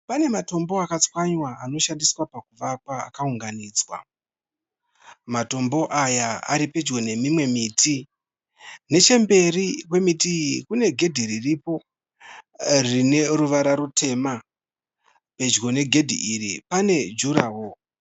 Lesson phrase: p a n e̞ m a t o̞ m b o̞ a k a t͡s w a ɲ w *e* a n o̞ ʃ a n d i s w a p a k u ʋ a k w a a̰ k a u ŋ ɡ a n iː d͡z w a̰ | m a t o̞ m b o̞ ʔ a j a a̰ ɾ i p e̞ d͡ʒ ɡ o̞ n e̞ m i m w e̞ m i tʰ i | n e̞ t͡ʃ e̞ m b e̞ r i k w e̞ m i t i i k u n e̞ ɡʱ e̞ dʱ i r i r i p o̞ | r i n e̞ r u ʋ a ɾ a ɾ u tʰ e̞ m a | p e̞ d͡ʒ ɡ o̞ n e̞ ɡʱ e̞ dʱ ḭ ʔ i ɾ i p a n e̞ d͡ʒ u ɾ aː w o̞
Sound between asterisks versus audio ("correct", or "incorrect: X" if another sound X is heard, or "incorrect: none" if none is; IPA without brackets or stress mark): incorrect: a